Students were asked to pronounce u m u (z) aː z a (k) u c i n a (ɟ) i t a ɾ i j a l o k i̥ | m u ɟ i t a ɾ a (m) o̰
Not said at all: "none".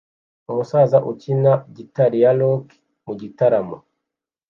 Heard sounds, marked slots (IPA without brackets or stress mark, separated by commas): s, ʔ, ɟ, m